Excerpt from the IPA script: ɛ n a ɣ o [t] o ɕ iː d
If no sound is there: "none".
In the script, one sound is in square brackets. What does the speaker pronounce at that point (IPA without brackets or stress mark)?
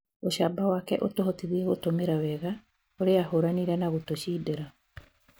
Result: t